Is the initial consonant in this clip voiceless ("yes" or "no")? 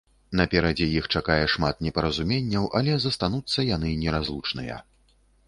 no